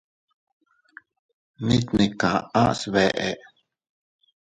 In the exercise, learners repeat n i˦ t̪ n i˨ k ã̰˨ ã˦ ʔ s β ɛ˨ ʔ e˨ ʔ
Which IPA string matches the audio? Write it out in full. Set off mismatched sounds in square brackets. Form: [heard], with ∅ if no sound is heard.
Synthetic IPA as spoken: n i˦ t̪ n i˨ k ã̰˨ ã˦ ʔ s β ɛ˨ ʔ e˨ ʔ